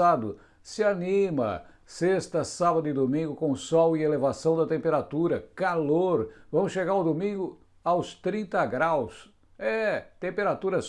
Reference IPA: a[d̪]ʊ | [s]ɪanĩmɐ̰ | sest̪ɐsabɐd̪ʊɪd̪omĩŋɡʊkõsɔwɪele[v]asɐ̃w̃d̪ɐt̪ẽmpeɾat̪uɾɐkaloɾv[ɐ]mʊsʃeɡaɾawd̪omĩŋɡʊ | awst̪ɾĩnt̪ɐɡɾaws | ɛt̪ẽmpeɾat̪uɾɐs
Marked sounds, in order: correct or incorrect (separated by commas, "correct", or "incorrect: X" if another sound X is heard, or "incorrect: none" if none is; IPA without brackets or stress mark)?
correct, correct, correct, incorrect: ɐ̃